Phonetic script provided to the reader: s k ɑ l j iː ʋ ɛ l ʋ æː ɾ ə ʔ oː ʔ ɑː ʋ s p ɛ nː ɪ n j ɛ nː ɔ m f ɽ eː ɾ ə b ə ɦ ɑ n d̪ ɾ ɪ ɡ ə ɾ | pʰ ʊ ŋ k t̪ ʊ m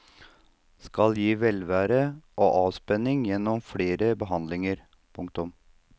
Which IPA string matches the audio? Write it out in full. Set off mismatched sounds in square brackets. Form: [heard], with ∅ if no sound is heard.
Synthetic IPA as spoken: s k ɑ l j iː ʋ ɛ l ʋ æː ɾ ə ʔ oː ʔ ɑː ʋ s p ɛ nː ɪ [ŋ] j ɛ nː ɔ m f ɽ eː ɾ ə b ə ɦ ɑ n d̪ [l] ɪ [ŋ] ə ɾ | pʰ ʊ ŋ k t̪ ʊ m